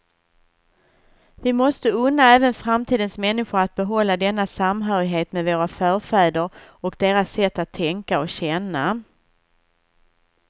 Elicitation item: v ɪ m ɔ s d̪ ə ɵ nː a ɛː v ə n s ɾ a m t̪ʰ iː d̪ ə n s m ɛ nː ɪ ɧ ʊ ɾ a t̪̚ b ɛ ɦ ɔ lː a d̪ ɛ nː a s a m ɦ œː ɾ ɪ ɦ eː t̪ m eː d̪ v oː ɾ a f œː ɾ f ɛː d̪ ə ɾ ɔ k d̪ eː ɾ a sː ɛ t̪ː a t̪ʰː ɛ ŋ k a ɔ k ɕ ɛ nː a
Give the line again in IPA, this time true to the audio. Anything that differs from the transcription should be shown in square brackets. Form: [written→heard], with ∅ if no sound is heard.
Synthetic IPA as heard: v ɪ m ɔ s [d̪→t̪] ə ɵ nː a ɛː v ə n [s→f] ɾ a m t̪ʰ iː d̪ ə n s m ɛ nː ɪ ɧ ʊ ɾ a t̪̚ b ɛ ɦ ɔ lː a d̪ ɛ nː a s a m ɦ œː ɾ ɪ ɦ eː t̪ m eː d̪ v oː ɾ a f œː ɾ f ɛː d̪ ə ɾ ɔ k d̪ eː ɾ a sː ɛ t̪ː a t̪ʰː ɛ ŋ k a ɔ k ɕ ɛ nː a

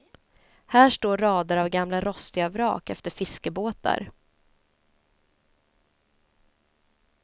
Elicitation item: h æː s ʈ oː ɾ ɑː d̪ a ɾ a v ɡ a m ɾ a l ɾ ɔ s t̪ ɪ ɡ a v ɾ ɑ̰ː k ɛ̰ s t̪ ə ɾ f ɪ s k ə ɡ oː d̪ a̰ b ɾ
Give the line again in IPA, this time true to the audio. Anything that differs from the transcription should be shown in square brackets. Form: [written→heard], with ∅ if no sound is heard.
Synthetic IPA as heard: h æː [s→ʂ] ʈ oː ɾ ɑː d̪ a ɾ a v ɡ a m [ɾ→l] a [l→∅] ɾ ɔ s t̪ ɪ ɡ a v ɾ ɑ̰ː k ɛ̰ [s→f] t̪ ə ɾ f ɪ s k ə [ɡ→b] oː [d̪→t̪] a̰ [b→∅] ɾ

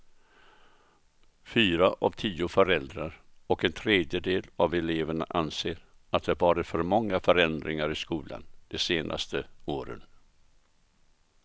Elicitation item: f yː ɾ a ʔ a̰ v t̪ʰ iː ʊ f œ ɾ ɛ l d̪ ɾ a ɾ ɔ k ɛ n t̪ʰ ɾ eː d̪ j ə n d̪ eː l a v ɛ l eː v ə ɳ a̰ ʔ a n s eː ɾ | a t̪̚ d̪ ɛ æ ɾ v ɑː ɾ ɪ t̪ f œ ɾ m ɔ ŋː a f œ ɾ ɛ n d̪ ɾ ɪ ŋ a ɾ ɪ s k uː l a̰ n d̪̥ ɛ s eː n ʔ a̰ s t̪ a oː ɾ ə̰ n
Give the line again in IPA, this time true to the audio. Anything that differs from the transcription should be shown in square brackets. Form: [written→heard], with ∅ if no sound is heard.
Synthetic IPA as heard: f yː ɾ a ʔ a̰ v t̪ʰ iː ʊ f œ ɾ ɛ l d̪ ɾ a ɾ ɔ k ɛ n t̪ʰ ɾ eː d̪ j ə [n→∅] d̪ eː l a v ɛ l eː v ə ɳ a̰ ʔ a n s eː ɾ | a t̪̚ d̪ ɛ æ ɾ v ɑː ɾ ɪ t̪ f œ ɾ m ɔ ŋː a f œ ɾ ɛ n d̪ ɾ ɪ ŋ a ɾ ɪ s k uː l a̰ n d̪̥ ɛ s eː n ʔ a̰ s t̪ [a→ə] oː ɾ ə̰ n

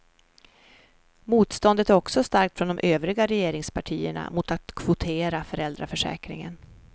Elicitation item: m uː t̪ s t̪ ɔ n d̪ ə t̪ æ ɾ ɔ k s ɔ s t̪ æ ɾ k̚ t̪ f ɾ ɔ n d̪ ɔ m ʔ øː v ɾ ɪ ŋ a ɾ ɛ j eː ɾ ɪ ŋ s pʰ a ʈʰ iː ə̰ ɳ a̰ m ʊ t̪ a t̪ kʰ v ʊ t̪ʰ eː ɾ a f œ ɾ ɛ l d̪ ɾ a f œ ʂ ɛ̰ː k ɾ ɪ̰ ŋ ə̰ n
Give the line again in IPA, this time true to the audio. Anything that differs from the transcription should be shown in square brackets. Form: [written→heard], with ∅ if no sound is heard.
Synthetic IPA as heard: m uː t̪ s t̪ ɔ n d̪ ə t̪ æ ɾ ɔ k s ɔ s t̪ [æ→a] ɾ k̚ t̪ f ɾ ɔ n d̪ ɔ m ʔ øː v ɾ ɪ [ŋ→ɡ] a ɾ ɛ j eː ɾ ɪ ŋ s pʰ a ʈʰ iː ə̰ ɳ a̰ m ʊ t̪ a t̪ kʰ v ʊ t̪ʰ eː ɾ a f œ ɾ ɛ l d̪ ɾ a f œ ʂ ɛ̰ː k ɾ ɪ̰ ŋ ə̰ n

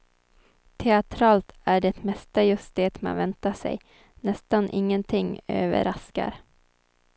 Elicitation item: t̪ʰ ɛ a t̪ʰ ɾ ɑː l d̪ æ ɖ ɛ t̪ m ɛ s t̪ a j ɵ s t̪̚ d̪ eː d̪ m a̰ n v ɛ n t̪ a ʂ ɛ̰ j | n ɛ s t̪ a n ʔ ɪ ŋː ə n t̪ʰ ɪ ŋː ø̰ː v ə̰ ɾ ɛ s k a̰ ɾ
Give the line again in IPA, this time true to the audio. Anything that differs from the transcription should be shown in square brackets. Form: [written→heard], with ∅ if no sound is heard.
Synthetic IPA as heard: t̪ʰ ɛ a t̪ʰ ɾ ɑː l [d̪→t̪] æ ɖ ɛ t̪ m ɛ s t̪ a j ɵ s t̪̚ d̪ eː [d̪→t̪] m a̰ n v ɛ n t̪ a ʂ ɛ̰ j | n ɛ s t̪ a n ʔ ɪ ŋː ə n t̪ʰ ɪ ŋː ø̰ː v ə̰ ɾ [ɛ→a] s k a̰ ɾ

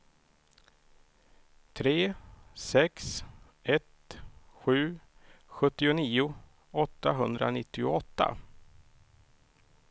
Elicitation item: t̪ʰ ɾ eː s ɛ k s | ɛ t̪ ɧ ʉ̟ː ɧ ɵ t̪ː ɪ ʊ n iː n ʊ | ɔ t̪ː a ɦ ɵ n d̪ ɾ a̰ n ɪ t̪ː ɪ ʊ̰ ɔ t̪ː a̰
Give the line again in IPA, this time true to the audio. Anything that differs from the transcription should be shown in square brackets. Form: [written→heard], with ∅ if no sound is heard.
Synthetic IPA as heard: t̪ʰ ɾ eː s ɛ k s | ɛ t̪ ɧ ʉ̟ː ɧ ɵ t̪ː ɪ ʊ n iː [n→∅] ʊ | ɔ t̪ː a ɦ ɵ n d̪ ɾ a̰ n ɪ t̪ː ɪ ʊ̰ ɔ t̪ː a̰

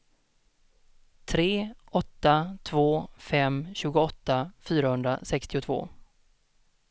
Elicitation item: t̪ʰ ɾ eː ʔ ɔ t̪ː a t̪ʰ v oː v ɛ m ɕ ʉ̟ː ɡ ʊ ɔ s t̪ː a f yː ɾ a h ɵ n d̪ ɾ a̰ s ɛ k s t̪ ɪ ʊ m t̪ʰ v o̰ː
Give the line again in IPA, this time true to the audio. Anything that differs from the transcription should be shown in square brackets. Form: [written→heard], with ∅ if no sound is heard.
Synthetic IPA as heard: t̪ʰ ɾ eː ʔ ɔ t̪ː a t̪ʰ v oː [v→f] ɛ m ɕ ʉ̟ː ɡ ʊ ɔ [s→∅] t̪ː a f yː ɾ a h ɵ n d̪ ɾ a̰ s ɛ k s t̪ ɪ ʊ [m→∅] t̪ʰ v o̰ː

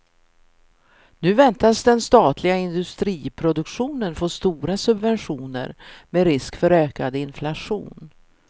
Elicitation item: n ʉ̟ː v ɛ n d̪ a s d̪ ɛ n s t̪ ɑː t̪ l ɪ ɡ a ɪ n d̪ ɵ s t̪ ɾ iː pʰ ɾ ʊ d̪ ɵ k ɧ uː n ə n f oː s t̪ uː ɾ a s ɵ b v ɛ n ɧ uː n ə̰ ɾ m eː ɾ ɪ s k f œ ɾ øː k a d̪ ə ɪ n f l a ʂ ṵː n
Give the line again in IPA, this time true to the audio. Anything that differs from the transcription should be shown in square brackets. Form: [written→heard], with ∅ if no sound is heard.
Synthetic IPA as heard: n ʉ̟ː v ɛ n [d̪→t̪] a s d̪ ɛ n s t̪ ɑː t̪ l ɪ ɡ a ɪ n d̪ ɵ s t̪ ɾ iː pʰ ɾ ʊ d̪ ɵ k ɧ uː n ə n f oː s t̪ uː ɾ a s ɵ b v ɛ n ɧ uː n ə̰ ɾ m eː ɾ ɪ s k f œ ɾ øː k a d̪ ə ɪ n f l a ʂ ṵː n

